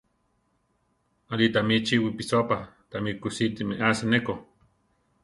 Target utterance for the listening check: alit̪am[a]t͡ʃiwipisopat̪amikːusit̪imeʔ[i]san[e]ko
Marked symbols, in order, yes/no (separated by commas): no, no, yes